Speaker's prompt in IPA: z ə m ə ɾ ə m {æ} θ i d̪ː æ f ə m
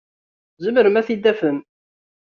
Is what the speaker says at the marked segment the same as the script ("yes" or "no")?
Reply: yes